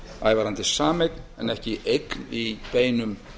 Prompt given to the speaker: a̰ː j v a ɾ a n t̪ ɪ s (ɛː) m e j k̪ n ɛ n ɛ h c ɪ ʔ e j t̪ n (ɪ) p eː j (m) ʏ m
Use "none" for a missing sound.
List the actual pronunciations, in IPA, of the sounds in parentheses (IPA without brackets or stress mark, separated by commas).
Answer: aː, i, n